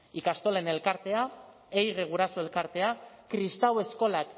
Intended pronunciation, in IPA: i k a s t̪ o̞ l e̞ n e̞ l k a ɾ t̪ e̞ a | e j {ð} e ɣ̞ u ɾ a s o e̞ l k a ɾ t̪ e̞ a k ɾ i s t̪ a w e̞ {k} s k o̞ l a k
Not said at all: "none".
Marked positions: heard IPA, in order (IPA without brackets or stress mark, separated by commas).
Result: ɣ, none